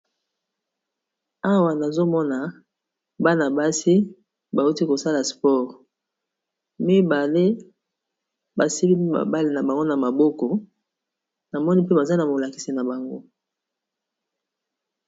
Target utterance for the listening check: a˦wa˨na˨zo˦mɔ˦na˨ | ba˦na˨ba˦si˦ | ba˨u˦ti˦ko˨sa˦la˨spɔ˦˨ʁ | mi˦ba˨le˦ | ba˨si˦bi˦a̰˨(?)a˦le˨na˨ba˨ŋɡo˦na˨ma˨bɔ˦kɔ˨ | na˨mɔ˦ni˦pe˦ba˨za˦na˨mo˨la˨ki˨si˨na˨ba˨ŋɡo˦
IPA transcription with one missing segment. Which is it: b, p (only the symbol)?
b